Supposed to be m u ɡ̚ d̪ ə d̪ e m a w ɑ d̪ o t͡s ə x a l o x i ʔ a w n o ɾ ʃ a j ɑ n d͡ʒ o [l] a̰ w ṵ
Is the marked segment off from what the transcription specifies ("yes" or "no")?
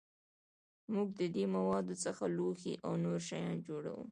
yes